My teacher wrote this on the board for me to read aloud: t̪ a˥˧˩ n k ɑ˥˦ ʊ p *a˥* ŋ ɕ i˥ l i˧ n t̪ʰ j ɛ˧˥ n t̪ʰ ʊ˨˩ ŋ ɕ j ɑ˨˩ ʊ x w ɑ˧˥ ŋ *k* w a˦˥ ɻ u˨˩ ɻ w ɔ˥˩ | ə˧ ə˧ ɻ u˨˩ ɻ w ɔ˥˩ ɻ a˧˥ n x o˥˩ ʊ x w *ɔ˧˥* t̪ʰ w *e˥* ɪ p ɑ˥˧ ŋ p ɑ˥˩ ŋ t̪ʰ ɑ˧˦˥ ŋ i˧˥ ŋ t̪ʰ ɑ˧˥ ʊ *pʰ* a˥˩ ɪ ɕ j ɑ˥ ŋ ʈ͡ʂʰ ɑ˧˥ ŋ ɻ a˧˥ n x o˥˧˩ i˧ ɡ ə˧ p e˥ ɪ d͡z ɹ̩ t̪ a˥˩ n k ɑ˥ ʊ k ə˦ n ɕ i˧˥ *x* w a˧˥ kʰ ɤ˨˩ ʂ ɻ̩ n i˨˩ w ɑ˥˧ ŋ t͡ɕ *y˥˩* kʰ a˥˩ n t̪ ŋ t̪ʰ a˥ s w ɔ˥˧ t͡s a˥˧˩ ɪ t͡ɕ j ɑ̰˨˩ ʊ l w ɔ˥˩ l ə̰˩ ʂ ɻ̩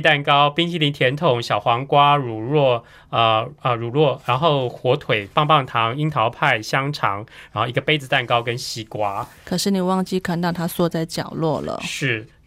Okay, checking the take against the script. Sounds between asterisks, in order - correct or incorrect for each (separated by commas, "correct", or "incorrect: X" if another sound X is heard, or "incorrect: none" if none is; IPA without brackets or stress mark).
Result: incorrect: i˥, correct, correct, incorrect: e˨˩, correct, incorrect: k, incorrect: i˥˩